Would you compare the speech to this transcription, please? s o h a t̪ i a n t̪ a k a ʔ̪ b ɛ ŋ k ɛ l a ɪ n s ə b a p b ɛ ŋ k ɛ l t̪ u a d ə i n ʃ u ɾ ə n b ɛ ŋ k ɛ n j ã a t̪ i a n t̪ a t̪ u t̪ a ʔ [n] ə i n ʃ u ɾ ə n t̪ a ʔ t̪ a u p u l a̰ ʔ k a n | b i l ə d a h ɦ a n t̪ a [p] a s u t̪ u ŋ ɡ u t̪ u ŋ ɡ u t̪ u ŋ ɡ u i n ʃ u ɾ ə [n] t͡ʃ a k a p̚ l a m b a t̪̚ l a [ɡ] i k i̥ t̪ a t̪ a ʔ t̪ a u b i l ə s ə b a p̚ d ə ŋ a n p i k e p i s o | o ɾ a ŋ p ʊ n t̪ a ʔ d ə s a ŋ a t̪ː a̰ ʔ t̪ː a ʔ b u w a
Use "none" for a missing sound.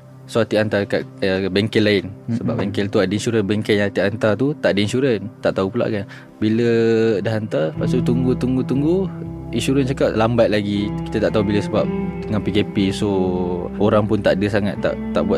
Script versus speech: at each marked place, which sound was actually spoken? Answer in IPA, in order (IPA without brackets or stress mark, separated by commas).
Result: d, p, n, ɡ